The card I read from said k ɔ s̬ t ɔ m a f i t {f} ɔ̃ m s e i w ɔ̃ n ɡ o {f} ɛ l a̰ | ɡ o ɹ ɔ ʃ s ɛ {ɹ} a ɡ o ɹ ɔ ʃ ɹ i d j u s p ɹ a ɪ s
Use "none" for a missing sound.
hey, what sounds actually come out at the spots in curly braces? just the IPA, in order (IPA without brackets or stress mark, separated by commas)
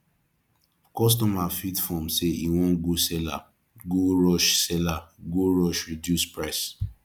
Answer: f, s, l